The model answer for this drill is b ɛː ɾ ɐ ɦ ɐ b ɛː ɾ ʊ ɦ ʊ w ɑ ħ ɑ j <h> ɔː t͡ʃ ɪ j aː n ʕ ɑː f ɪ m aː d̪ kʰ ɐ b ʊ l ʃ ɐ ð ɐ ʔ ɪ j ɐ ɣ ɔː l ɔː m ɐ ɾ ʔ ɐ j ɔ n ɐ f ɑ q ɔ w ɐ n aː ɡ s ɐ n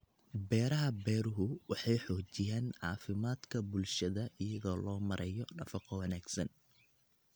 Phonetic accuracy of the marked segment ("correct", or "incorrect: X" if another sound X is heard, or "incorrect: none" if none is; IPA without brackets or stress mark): incorrect: ħ